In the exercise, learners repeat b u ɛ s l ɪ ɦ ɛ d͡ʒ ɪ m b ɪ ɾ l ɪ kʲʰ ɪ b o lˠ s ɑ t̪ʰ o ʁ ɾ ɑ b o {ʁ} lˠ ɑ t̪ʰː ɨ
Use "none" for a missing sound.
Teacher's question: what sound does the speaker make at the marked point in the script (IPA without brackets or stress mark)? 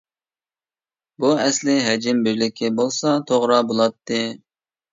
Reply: none